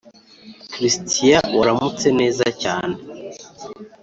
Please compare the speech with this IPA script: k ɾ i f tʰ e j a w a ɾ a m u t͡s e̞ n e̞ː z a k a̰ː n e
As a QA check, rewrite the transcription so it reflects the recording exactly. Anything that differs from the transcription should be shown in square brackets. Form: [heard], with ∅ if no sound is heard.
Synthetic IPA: k ɾ i [s] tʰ [i] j a w a ɾ a m u t͡s e̞ n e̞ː z a [c] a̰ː n e